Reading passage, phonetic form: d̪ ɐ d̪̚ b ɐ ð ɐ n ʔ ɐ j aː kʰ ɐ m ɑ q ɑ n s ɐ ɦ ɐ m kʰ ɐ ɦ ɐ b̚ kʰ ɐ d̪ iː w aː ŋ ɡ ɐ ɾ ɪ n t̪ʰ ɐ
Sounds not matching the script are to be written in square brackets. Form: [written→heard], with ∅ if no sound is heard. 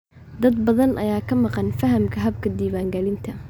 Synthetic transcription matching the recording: d̪ ɐ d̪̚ b ɐ ð ɐ n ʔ ɐ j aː kʰ ɐ m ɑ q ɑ n [s→f] ɐ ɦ ɐ m kʰ ɐ ɦ ɐ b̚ kʰ ɐ d̪ iː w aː ŋ ɡ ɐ [ɾ→l] ɪ n t̪ʰ ɐ

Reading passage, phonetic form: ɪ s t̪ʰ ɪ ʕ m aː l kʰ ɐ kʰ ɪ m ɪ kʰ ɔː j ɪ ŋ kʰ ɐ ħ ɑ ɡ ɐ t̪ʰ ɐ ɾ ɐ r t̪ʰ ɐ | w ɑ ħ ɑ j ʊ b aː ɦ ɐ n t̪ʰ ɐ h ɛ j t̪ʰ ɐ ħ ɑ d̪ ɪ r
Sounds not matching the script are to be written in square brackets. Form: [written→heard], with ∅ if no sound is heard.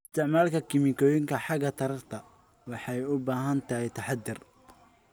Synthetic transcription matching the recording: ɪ s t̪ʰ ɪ ʕ m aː l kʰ ɐ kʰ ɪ m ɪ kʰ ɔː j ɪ ŋ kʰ ɐ ħ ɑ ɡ ɐ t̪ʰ ɐ ɾ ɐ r t̪ʰ ɐ | w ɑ ħ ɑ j ʊ b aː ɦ ɐ n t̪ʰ ɐ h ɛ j t̪ʰ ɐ ħ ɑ d̪ ɪ r

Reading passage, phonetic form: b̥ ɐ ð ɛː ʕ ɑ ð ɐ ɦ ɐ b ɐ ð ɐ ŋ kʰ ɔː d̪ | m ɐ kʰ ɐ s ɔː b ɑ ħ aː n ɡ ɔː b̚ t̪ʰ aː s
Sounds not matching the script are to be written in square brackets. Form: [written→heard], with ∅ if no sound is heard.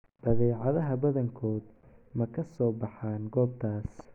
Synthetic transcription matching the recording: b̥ ɐ ð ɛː ʕ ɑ ð ɐ ɦ ɐ b ɐ ð ɐ ŋ kʰ ɔː d̪ | m ɐ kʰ ɐ s ɔː b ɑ ħ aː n ɡ ɔː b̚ t̪ʰ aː s

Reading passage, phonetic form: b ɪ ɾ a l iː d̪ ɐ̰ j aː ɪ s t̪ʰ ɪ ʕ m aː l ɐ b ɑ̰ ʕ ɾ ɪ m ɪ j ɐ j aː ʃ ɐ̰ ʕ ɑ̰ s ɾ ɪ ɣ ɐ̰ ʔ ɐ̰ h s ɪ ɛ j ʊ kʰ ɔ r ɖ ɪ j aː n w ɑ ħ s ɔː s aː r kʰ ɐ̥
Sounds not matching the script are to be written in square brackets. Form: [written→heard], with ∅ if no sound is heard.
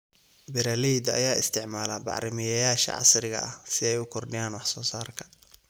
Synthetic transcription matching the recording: b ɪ ɾ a l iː d̪ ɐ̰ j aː ɪ s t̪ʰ ɪ ʕ m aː l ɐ b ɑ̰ ʕ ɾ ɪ m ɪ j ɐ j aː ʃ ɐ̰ ʕ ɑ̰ s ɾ ɪ ɣ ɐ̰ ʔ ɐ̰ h s ɪ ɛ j ʊ kʰ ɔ r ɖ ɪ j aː n w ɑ ħ s ɔː s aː r kʰ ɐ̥

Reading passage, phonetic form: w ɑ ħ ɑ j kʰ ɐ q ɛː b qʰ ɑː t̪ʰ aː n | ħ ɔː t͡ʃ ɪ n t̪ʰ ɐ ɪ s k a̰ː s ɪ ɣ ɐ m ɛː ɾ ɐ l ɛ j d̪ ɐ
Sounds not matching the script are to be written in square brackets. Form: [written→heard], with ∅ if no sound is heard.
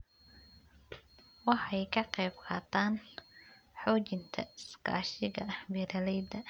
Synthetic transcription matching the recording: w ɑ ħ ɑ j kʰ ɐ q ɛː b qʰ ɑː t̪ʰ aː n | ħ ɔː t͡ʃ ɪ n t̪ʰ ɐ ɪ s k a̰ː [s→ʃ] ɪ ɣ ɐ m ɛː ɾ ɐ l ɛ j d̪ ɐ

